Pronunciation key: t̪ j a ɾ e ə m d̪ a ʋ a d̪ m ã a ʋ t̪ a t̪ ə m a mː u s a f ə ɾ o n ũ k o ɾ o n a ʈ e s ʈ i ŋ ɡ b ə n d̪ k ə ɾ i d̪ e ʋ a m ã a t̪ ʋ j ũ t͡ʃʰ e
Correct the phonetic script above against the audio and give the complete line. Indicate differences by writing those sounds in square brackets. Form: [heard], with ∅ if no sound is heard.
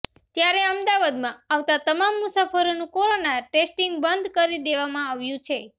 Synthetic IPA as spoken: t̪ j a ɾ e ə m d̪ a ʋ a d̪ m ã a ʋ t̪ a t̪ ə m a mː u s a f ə ɾ o n ũ k o ɾ o n a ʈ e s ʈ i ŋ ɡ b ə n d̪ k ə ɾ i d̪ e ʋ a m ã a [∅] ʋ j ũ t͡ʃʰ e